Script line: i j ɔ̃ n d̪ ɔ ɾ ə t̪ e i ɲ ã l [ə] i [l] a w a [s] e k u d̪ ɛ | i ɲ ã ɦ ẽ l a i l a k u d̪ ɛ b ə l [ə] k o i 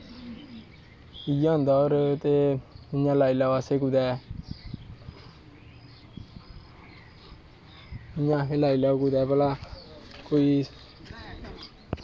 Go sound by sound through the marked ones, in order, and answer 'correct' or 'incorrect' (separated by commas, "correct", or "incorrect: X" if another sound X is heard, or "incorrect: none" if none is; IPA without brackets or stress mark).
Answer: incorrect: a, correct, correct, incorrect: a